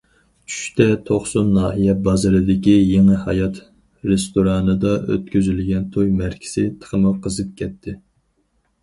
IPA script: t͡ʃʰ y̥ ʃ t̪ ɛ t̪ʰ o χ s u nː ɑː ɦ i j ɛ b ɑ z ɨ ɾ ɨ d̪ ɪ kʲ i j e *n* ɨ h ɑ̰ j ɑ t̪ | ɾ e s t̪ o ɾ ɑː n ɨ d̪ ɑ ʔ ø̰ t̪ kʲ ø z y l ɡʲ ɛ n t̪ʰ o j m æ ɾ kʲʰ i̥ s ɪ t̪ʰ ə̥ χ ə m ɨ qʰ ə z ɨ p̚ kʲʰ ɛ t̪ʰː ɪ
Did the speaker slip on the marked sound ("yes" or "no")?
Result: yes